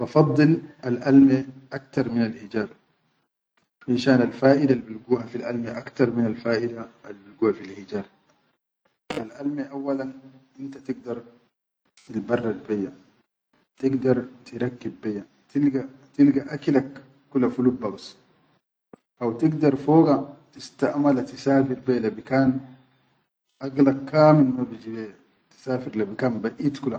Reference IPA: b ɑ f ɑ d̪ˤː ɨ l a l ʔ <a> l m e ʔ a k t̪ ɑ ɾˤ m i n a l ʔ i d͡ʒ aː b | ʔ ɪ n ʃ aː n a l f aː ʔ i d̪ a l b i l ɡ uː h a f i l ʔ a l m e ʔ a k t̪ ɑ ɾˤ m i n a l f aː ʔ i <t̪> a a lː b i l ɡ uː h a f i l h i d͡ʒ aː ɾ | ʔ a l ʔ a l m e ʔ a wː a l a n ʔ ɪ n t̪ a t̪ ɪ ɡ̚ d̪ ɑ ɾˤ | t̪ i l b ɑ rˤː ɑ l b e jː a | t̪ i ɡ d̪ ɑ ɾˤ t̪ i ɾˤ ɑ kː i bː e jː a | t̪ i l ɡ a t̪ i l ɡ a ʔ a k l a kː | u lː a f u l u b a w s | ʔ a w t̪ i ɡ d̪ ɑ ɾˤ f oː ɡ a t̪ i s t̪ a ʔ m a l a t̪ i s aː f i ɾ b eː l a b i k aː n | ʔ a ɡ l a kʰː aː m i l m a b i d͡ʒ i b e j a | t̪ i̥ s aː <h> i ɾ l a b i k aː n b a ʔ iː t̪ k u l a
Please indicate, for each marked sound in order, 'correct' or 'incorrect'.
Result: correct, incorrect, incorrect

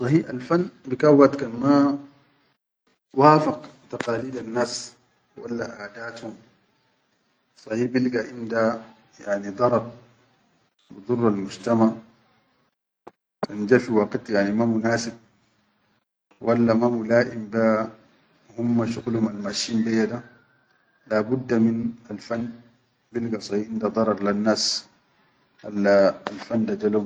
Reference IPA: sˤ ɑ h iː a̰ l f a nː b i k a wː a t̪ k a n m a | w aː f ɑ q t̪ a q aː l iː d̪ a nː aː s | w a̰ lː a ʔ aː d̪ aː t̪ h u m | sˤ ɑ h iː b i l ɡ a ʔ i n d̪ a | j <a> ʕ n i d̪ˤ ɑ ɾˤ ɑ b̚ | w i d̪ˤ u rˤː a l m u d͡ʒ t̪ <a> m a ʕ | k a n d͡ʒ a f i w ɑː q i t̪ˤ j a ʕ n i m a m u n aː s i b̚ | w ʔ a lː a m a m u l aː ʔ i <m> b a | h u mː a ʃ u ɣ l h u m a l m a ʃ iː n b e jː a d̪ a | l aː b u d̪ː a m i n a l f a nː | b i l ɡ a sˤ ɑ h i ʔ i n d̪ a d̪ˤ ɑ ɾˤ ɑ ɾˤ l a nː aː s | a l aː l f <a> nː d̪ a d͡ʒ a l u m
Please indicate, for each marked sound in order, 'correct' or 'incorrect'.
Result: correct, correct, correct, correct

